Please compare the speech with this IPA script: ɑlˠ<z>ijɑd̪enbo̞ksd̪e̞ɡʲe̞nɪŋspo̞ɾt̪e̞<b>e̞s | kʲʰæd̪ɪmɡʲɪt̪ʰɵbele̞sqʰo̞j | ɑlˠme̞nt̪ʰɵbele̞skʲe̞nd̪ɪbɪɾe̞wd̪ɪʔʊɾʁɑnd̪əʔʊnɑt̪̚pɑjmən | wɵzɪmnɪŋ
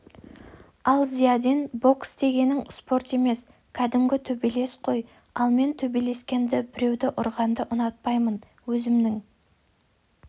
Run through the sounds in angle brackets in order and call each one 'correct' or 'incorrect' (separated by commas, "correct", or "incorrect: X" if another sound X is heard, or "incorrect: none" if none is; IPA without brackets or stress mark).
correct, incorrect: m